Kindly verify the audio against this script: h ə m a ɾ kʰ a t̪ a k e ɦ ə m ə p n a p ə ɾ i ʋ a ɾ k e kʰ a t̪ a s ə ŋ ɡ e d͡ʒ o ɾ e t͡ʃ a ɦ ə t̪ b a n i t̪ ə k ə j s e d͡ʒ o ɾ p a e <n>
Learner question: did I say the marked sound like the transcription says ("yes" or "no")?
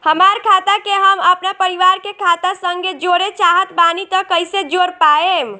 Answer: no